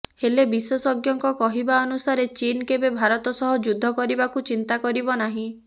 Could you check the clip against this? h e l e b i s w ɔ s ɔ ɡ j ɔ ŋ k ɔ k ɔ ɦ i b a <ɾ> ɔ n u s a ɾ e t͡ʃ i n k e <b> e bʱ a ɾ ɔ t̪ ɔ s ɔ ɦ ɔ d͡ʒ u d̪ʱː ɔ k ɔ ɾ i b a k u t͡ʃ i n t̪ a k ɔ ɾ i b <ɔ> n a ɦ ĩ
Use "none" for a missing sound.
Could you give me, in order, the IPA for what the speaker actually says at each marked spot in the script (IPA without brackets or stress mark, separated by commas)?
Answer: none, b, ɔ